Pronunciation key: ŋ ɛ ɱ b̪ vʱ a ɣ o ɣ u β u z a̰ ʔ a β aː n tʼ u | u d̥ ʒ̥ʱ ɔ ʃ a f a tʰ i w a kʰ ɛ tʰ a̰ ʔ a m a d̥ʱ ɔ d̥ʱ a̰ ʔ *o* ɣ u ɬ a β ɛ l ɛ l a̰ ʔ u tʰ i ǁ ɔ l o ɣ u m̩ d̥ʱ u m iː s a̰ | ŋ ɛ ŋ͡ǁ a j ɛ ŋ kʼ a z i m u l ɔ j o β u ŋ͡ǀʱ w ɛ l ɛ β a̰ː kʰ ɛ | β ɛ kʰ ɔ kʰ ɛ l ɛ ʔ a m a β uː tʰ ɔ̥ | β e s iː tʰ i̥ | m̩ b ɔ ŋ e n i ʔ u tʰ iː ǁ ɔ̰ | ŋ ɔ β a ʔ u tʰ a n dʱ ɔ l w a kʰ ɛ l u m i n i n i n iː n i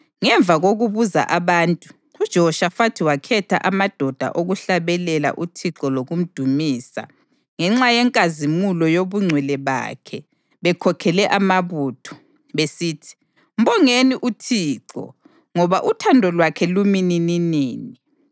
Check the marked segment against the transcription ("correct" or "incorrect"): correct